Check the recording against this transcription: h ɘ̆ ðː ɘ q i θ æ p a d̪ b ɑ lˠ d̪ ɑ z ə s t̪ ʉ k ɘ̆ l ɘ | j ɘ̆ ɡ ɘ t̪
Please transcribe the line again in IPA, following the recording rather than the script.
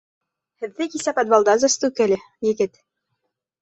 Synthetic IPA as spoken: h ɘ̆ ðː ɘ k i s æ p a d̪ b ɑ lˠ d̪ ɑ z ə s t̪ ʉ k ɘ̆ l ɘ | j ɘ̆ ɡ ɘ t̪